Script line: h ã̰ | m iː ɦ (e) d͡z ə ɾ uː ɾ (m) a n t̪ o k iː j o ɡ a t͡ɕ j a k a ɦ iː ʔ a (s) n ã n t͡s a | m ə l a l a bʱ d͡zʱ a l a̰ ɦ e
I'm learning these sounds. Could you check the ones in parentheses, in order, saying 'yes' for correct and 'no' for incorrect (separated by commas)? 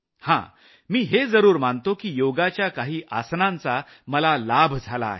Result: yes, yes, yes